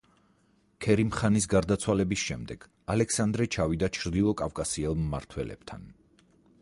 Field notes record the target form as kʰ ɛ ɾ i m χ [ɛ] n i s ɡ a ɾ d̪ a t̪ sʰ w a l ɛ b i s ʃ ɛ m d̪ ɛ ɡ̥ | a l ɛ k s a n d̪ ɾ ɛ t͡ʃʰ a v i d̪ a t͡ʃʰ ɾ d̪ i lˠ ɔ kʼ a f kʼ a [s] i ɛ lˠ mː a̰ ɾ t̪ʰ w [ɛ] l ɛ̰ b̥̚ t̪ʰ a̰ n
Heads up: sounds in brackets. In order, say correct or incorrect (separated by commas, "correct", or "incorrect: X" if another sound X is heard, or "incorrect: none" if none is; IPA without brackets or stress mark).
incorrect: a, correct, correct